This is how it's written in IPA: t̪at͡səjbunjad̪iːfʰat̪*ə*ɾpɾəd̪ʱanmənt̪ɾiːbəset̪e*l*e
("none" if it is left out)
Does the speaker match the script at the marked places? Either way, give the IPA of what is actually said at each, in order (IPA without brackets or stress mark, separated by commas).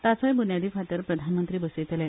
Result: ə, l